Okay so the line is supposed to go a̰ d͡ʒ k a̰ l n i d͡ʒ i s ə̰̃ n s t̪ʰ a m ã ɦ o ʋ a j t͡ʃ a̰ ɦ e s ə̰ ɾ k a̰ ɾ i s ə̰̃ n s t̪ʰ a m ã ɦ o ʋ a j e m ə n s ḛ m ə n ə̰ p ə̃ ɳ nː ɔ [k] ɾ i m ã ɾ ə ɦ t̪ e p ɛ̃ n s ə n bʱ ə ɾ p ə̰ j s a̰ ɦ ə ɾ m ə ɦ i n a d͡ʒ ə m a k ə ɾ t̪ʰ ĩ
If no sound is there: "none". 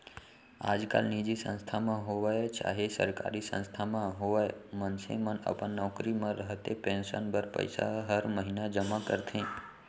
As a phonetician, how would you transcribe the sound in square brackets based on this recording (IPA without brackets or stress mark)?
k